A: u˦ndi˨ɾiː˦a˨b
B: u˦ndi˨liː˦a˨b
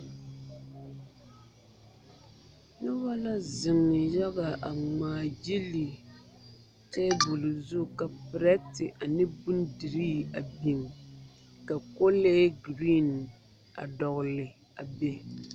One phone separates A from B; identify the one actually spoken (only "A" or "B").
A